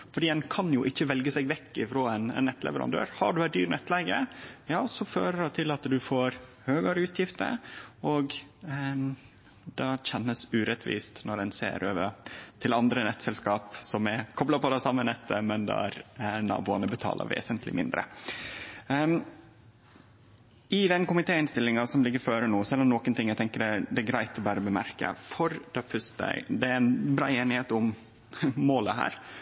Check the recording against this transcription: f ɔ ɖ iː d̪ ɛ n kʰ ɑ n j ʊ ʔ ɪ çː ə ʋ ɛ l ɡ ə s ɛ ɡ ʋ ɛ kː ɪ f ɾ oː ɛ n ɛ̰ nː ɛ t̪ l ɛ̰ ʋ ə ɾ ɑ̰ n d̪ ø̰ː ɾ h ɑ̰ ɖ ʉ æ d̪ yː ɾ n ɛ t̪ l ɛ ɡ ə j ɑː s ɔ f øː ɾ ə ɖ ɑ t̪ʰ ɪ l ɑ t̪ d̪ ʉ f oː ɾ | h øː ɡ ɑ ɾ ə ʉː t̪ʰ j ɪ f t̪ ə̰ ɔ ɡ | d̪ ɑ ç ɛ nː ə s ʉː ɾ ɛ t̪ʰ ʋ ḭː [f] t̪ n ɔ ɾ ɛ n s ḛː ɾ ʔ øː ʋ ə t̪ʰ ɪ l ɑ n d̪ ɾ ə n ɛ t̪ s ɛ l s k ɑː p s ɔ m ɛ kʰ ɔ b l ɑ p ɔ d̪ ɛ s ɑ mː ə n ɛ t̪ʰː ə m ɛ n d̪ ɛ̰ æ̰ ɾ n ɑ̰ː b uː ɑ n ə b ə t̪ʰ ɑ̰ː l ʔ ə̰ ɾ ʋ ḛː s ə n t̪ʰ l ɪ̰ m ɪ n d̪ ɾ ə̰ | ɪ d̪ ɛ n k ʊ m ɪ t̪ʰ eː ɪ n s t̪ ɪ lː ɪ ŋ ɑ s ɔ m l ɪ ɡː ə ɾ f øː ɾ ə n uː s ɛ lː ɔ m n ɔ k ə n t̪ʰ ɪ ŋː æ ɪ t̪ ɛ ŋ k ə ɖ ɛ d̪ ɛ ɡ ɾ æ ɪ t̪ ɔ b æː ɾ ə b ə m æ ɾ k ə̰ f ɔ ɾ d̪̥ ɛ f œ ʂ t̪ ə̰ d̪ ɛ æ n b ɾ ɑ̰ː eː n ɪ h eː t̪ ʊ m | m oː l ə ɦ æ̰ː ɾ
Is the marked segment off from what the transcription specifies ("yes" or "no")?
yes